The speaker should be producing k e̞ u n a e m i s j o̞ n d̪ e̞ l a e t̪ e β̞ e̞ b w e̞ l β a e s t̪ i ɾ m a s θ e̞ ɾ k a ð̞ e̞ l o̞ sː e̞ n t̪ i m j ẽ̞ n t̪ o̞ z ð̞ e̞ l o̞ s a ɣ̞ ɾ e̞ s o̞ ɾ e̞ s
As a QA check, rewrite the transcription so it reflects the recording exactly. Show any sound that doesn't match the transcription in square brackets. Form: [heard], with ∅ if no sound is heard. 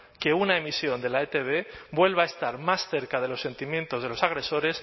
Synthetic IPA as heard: k e̞ u n a e m i s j o̞ n d̪ e̞ l a e t̪ e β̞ e̞ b w e̞ l β a e s t̪ [a] ɾ m a s θ e̞ ɾ k a ð̞ e̞ l o̞ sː e̞ n t̪ i m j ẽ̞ n t̪ o̞ z ð̞ e̞ l o̞ s a ɣ̞ ɾ e̞ s o̞ ɾ e̞ s